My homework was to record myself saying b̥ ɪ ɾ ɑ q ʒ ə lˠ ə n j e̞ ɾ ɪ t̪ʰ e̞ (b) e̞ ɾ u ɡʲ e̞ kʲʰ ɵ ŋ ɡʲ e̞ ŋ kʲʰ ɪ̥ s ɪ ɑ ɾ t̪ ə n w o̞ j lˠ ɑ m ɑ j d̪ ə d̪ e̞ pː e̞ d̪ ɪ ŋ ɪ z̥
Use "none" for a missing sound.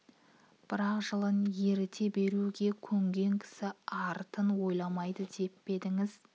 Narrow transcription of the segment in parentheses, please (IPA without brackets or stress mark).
b